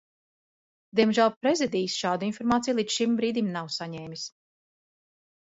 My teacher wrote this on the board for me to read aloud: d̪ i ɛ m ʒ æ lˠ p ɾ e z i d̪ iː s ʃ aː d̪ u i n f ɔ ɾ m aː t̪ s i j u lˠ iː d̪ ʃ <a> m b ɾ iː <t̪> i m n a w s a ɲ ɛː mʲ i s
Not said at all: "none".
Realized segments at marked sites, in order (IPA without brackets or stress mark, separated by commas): i, d̪